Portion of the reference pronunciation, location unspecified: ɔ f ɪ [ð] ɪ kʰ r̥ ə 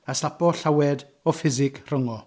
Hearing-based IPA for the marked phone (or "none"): z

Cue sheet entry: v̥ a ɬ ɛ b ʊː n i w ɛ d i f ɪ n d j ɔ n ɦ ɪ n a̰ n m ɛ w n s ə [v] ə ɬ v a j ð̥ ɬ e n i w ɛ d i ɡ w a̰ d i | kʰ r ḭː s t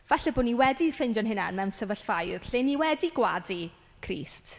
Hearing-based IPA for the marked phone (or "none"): v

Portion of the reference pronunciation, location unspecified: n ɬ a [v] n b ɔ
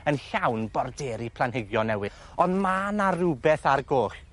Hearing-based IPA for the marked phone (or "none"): w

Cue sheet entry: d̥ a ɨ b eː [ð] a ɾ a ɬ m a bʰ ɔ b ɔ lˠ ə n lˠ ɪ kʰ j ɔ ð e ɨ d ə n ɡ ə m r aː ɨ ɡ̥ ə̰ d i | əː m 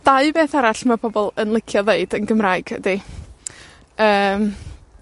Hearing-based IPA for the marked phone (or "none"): θ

